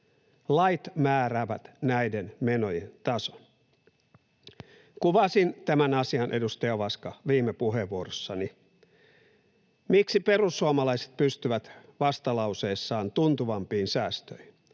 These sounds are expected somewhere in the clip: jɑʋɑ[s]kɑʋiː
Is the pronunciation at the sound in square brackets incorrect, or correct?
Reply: correct